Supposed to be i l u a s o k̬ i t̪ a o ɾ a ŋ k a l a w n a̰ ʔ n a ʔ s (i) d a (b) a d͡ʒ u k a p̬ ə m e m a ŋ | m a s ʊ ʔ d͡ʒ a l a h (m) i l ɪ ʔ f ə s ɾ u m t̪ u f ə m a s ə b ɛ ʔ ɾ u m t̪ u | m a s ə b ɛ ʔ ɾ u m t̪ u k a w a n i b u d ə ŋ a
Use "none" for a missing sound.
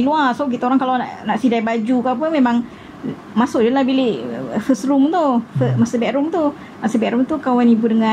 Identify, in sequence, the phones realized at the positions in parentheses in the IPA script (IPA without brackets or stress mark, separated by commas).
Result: i, b, b